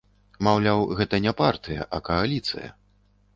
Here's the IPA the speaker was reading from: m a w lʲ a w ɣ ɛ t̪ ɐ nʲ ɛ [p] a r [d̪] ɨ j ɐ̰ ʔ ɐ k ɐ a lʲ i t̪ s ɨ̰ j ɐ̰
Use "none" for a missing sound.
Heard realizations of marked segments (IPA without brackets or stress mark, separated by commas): p, t̪